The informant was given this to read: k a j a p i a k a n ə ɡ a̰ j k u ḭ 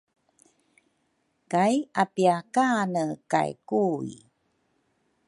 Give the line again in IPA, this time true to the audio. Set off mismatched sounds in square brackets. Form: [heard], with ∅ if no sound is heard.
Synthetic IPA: k a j a p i a k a n ə [k] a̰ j k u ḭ